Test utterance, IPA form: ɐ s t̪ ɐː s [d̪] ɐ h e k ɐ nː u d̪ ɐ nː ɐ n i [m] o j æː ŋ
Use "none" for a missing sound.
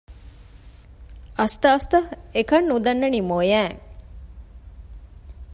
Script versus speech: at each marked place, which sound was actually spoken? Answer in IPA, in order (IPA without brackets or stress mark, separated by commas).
t̪, m